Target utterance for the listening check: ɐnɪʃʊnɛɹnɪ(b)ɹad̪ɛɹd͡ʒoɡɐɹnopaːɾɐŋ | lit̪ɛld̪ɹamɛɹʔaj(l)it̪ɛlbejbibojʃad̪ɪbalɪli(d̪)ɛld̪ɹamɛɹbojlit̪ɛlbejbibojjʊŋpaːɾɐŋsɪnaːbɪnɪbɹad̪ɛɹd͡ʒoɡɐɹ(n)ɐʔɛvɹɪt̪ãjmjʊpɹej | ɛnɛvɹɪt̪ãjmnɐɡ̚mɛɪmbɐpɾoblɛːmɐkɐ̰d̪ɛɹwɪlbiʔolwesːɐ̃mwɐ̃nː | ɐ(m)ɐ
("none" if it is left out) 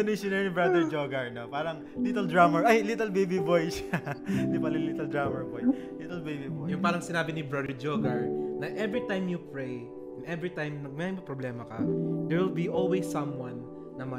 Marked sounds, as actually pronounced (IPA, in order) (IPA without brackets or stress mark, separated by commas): b, l, t̪, n, m